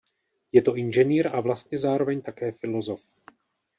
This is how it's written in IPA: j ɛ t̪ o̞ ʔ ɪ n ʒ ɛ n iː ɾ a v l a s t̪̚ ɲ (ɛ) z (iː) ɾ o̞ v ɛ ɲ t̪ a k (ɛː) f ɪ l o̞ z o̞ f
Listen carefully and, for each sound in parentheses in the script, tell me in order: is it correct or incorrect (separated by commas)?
correct, incorrect, correct